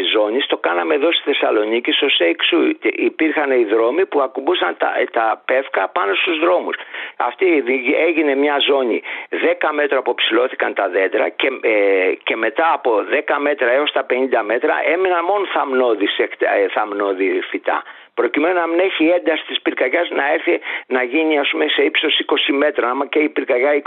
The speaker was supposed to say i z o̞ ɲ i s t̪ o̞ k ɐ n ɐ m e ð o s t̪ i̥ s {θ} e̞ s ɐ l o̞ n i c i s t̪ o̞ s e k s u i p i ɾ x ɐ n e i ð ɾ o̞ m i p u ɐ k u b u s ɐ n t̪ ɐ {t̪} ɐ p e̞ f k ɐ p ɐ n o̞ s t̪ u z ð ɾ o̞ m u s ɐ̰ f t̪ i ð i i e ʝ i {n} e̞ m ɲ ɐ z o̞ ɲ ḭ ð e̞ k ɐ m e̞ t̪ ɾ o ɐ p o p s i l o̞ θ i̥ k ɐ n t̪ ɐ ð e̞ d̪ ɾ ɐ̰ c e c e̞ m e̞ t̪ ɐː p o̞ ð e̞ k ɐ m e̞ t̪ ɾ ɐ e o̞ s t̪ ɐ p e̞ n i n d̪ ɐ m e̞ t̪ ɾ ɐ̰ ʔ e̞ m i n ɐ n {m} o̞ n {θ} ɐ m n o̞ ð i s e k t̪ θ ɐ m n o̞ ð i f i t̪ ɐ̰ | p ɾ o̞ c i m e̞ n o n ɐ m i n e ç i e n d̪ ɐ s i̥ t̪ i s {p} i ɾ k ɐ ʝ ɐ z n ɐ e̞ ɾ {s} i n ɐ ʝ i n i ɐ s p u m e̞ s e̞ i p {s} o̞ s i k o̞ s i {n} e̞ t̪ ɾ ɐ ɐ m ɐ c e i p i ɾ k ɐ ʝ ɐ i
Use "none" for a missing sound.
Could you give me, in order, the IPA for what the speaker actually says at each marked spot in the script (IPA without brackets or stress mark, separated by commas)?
θ, t̪, n, m, θ, p, θ, s, m